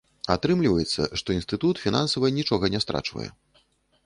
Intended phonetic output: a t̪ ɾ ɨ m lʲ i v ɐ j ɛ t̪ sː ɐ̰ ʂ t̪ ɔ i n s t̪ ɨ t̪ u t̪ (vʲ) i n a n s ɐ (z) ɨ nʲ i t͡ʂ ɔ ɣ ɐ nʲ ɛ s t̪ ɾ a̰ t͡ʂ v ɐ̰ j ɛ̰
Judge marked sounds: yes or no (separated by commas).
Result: no, no